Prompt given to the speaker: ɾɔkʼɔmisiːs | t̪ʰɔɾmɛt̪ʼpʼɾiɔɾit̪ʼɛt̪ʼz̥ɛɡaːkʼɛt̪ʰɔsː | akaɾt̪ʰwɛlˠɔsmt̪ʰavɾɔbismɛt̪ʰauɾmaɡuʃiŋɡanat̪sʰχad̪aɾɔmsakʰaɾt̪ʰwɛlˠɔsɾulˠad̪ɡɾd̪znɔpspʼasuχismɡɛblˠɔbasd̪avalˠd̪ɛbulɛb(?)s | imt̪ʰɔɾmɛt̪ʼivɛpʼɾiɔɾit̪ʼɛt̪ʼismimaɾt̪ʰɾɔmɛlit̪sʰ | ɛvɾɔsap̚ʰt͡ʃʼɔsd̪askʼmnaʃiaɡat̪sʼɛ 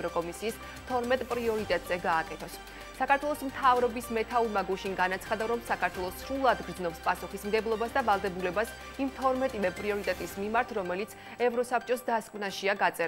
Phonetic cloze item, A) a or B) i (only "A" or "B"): A